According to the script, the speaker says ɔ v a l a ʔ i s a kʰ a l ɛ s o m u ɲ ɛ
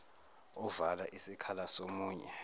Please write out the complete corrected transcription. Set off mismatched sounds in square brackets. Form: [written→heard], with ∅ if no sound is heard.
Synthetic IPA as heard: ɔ v a l a ʔ i s [a→i] kʰ a l [ɛ→a] s o m [u→uː] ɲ ɛ